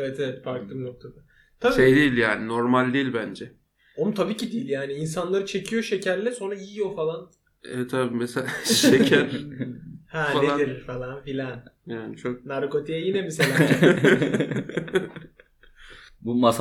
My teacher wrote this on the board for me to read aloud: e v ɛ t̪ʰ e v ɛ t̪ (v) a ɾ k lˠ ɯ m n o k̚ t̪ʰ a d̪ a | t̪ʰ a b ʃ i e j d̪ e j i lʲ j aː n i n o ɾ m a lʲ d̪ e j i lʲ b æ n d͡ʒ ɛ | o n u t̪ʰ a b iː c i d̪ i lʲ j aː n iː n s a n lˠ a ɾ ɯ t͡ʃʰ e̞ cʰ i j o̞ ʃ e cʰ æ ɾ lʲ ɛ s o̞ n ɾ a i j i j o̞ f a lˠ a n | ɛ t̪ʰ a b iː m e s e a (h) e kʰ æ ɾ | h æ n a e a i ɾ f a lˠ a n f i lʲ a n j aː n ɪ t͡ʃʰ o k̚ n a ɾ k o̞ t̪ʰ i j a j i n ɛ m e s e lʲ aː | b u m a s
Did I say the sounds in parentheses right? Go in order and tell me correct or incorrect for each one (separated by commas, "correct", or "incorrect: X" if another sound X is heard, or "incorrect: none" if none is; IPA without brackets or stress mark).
incorrect: f, incorrect: ʃ